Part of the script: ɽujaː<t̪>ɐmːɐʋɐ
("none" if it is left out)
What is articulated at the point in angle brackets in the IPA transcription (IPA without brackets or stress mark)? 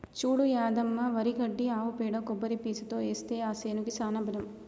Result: d̪